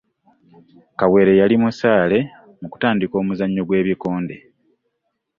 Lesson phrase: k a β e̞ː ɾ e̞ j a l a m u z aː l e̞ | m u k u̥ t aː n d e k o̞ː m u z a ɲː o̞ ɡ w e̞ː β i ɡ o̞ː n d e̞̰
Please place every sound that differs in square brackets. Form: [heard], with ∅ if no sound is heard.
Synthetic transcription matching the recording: k a [w] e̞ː ɾ e̞ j a l [i] m u [s] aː l e̞ | m u k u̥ t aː n d [i] k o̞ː m u z a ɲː o̞ ɡ w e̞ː β i [k] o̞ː n d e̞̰